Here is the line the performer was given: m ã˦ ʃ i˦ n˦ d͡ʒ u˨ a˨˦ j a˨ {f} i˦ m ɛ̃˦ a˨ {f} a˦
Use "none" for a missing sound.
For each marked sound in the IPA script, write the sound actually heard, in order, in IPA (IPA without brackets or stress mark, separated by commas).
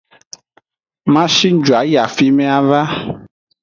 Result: f, v